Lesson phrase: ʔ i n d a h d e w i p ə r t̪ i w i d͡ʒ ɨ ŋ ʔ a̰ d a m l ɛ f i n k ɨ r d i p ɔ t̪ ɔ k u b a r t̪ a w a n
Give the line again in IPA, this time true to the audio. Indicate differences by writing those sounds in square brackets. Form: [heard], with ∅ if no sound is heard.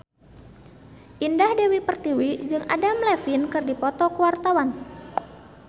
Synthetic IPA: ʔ i n d a h d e w i p ə r t̪ i w i d͡ʒ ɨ ŋ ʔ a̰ d a m l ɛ f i n k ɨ r d i p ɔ t̪ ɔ k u [w] a r t̪ a w a n